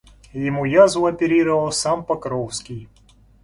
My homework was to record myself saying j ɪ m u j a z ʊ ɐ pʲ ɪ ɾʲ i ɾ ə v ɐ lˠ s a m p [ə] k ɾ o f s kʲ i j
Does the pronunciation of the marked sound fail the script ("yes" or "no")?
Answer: yes